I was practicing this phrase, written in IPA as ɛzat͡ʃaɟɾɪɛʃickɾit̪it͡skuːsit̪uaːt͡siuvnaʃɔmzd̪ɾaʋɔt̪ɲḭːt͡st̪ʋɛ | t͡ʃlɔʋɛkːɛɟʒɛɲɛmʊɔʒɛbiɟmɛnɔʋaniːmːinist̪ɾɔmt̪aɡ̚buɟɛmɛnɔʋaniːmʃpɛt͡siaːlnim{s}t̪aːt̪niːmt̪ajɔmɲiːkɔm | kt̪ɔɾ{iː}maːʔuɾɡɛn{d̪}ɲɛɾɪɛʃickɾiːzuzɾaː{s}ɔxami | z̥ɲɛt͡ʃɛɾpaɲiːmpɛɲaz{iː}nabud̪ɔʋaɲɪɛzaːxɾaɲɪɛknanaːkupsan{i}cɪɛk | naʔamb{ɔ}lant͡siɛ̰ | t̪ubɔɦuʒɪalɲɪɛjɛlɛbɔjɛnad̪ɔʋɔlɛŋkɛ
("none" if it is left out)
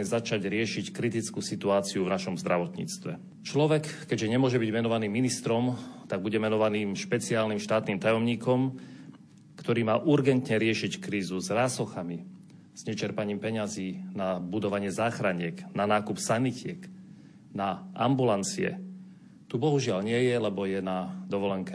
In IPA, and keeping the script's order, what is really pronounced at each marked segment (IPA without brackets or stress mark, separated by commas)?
ʃ, iː, t̪, s, iː, i, u